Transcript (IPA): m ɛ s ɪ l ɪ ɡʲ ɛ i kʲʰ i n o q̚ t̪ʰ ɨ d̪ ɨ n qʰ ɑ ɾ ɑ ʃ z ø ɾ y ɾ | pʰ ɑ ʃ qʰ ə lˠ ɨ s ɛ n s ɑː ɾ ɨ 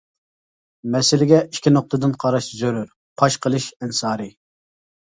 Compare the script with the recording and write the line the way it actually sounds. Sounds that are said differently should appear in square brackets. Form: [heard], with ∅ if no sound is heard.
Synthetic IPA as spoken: m ɛ s ɪ l ɪ ɡʲ ɛ i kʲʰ i n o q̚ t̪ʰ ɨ d̪ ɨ n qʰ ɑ ɾ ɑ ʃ z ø ɾ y ɾ | pʰ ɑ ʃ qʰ ə lˠ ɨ [ʃ] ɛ n s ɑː ɾ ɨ